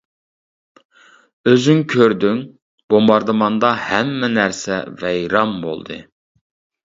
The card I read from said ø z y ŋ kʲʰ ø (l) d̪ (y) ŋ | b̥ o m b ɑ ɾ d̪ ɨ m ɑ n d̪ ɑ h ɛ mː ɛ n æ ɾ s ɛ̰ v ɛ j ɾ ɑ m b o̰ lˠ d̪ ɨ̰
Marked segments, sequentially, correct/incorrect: incorrect: ɾ, correct

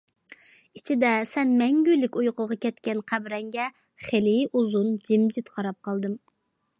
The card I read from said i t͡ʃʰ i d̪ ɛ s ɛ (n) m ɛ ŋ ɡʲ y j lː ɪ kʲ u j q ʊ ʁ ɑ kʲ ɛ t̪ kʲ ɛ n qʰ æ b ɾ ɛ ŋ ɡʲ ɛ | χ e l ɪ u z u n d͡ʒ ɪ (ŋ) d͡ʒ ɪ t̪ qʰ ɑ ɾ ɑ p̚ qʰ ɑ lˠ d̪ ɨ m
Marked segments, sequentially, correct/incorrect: correct, incorrect: m

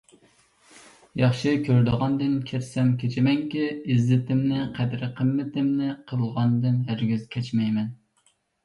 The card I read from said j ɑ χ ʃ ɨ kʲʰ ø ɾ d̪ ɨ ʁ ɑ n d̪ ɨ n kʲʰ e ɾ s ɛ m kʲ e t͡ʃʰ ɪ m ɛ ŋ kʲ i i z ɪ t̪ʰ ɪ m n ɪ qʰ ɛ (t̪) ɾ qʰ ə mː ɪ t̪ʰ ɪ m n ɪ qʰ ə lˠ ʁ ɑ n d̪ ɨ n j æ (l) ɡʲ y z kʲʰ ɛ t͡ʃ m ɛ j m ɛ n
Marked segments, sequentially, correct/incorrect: incorrect: d̪, incorrect: ɾ

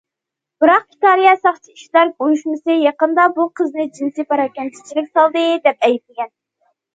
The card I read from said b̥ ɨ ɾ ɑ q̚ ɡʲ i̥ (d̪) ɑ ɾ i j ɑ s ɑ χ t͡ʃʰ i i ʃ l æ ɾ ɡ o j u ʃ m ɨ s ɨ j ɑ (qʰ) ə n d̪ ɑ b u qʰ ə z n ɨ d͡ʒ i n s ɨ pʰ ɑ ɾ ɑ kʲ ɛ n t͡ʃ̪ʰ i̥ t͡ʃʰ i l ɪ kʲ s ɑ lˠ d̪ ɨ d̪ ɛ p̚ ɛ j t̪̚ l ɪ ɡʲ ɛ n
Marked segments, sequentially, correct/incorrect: incorrect: t̪, incorrect: q

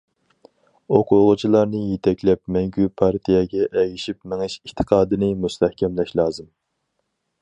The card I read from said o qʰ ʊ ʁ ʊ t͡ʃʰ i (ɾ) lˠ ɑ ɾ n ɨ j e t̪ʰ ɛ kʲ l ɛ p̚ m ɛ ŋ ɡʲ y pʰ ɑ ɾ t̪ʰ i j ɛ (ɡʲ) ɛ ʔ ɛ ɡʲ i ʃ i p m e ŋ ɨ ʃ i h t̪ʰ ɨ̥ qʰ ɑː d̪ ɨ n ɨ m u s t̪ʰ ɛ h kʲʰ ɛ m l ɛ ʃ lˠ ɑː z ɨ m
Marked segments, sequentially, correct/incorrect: incorrect: none, correct

